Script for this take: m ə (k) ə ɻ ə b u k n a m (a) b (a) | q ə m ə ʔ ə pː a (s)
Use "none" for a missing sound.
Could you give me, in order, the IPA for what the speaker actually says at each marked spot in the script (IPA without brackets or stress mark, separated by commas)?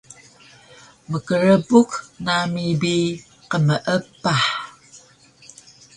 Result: k, i, i, ħ